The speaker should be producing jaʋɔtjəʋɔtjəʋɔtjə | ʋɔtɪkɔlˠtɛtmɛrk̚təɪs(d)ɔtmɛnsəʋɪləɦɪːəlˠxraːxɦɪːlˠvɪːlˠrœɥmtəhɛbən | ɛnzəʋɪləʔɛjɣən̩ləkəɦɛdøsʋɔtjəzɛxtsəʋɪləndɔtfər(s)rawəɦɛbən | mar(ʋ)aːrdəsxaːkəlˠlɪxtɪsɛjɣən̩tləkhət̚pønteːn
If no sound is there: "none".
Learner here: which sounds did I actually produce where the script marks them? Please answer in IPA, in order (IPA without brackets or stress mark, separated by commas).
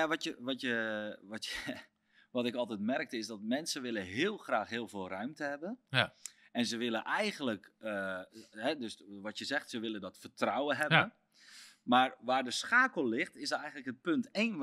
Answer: d, t, ʋ